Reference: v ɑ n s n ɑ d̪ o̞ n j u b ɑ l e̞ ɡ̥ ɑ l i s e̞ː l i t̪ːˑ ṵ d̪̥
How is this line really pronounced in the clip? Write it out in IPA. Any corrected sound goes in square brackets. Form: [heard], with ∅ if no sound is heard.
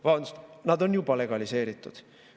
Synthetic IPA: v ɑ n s n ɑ d̪ o̞ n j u b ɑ l e̞ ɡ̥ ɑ l i s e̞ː [ɾ] i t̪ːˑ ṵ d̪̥